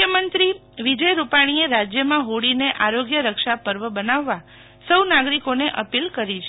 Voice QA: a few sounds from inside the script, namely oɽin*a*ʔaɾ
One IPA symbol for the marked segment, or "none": e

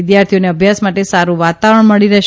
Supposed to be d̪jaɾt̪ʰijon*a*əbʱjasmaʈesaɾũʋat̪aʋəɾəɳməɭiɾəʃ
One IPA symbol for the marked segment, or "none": e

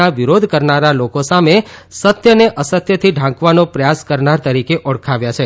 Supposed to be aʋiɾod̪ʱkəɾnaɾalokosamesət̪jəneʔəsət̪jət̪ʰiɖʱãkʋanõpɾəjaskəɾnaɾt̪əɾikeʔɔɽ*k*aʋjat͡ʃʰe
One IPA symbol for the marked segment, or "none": kʰ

